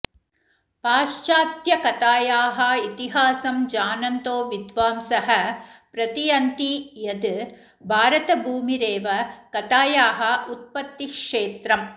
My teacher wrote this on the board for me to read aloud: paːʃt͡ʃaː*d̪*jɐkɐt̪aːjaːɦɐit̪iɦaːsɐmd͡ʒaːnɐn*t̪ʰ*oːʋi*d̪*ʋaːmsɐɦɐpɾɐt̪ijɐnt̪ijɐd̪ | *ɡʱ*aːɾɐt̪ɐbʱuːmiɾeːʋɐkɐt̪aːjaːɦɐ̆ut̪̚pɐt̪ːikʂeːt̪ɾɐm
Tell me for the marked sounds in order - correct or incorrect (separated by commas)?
incorrect, incorrect, correct, incorrect